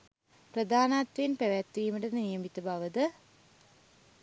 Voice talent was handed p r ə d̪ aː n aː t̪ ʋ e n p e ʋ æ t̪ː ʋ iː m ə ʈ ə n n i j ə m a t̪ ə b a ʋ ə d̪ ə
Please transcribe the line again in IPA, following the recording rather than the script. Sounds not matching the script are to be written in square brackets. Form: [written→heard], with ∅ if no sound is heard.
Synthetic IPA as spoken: p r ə d̪ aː n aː t̪ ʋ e n p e ʋ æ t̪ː ʋ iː m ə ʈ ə n n i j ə m [a→i] t̪ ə b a ʋ ə d̪ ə

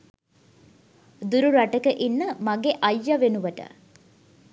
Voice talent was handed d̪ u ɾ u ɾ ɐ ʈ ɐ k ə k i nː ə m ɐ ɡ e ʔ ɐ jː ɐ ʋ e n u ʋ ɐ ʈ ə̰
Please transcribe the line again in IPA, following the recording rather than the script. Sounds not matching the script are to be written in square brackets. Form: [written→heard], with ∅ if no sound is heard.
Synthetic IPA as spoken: d̪ u ɾ u ɾ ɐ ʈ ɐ k ə [k→ʔ] i nː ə m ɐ ɡ e ʔ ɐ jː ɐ ʋ e n u ʋ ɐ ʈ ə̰

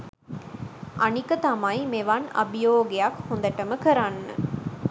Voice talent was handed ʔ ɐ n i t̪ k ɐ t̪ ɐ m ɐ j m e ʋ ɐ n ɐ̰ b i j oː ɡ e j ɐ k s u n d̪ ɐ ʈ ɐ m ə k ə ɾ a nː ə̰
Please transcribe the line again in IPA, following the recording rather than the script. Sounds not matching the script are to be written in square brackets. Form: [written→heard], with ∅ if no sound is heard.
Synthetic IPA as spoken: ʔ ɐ n i [t̪→∅] k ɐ t̪ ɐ m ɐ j m e ʋ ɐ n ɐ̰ b i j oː ɡ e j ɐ k [s→h] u n d̪ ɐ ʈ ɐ m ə k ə ɾ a nː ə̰

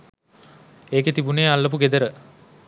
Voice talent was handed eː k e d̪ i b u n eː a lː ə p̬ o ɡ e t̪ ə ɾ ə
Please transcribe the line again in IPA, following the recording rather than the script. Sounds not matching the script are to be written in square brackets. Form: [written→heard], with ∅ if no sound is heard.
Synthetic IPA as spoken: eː k e [d̪→t̪] i b u n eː a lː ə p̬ [o→u] ɡ e [t̪→d̪] ə ɾ ə

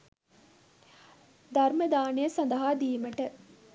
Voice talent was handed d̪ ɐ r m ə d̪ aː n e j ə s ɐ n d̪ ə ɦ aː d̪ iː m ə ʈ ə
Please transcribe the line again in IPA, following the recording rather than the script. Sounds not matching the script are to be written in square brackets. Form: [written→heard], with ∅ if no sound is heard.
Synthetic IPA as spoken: d̪ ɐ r m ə d̪ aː n e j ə s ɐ n d̪ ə ɦ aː d̪ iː m ə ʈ ə

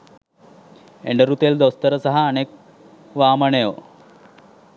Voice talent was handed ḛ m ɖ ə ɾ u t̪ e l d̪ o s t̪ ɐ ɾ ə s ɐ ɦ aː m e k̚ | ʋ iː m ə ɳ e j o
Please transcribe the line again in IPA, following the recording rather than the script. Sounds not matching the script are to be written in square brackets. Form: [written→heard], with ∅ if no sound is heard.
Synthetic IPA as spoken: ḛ [m→ɳ] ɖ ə ɾ u t̪ e l d̪ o s t̪ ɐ ɾ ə s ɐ ɦ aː [m→n] e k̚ | ʋ [iː→aː] m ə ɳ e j o

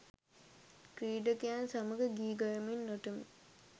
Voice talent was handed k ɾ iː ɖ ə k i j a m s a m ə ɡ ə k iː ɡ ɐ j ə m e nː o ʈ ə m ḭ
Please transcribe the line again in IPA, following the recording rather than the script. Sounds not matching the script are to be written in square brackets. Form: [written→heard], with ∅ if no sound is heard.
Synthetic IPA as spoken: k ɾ iː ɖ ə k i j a [m→n] s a m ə ɡ ə [k→ɡ] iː ɡ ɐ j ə m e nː o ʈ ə m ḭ

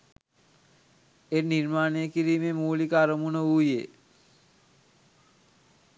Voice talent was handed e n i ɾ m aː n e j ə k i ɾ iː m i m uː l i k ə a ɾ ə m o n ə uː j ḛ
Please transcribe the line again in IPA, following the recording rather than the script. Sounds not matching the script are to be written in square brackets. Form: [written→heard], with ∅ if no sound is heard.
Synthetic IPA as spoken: e n i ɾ m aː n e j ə k i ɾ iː m [i→e] m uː l i k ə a ɾ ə m [o→u] n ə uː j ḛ

